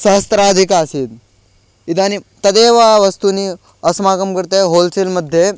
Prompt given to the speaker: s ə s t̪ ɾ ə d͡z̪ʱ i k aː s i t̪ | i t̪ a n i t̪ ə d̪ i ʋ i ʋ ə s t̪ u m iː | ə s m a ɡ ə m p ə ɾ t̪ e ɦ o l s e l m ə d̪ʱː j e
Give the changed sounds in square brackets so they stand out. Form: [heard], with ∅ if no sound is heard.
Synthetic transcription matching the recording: s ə s t̪ ɾ [a] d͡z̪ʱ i k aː s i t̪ | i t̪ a n i t̪ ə d̪ [e] ʋ [a] ʋ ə s t̪ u [n] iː | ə s m a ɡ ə m [k] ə ɾ t̪ e ɦ o l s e l m ə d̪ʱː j e